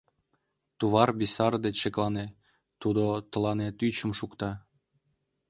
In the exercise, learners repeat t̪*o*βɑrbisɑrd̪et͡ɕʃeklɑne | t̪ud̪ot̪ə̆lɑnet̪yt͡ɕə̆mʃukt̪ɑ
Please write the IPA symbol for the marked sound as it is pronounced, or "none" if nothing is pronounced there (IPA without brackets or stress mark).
u